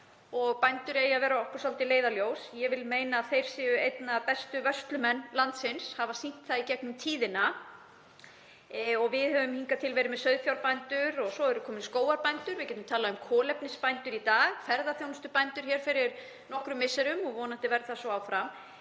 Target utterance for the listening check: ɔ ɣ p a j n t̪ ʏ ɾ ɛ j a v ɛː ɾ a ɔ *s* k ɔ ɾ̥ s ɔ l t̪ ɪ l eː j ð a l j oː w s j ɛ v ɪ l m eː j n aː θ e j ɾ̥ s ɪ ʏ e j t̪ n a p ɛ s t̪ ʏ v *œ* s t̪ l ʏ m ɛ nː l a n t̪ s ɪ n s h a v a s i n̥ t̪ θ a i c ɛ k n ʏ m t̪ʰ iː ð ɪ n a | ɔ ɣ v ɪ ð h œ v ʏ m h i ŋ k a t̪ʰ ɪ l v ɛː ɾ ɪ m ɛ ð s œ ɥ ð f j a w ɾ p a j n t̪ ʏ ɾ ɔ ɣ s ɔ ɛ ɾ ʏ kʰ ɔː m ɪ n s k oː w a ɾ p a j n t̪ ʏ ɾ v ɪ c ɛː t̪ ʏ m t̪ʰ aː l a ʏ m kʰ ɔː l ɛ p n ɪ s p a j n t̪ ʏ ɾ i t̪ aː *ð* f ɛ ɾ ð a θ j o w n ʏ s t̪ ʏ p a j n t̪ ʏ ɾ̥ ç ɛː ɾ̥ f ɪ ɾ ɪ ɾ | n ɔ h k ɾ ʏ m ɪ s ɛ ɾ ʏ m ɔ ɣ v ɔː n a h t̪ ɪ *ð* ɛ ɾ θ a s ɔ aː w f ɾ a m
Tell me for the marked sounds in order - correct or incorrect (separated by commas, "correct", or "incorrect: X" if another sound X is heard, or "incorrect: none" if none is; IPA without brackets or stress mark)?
incorrect: h, correct, incorrect: ɣ, incorrect: v